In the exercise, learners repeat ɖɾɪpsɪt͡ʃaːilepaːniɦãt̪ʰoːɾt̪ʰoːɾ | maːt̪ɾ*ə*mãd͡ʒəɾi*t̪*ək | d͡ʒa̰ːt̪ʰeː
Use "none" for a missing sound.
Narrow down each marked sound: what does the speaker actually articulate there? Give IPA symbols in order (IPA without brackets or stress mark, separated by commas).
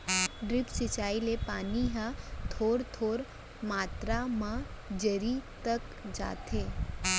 a, t̪